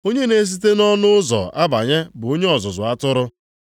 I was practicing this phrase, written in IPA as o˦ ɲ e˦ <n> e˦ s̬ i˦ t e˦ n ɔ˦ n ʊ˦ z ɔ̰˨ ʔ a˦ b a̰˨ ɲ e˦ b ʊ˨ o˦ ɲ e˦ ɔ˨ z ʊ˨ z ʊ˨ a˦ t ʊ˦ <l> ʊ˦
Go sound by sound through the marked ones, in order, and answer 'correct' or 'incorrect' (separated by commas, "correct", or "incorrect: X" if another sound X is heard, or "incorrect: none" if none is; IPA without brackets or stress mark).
correct, incorrect: ɾ